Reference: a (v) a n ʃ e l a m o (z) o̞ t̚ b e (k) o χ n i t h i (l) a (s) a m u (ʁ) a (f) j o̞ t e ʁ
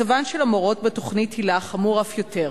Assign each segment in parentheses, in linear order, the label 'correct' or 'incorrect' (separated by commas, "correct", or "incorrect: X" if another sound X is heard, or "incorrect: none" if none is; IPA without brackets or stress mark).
correct, incorrect: ʁ, incorrect: t, correct, incorrect: χ, correct, correct